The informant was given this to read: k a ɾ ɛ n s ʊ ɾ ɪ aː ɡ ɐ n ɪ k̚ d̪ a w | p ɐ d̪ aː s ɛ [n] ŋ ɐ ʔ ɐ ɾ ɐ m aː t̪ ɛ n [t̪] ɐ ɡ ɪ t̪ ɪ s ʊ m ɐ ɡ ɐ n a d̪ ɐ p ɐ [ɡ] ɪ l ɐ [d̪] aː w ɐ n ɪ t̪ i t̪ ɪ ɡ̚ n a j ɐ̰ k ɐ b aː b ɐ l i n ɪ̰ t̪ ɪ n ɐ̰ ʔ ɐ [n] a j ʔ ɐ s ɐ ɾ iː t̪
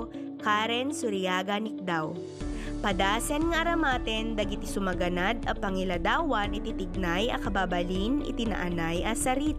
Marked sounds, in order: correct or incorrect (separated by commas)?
correct, incorrect, incorrect, correct, correct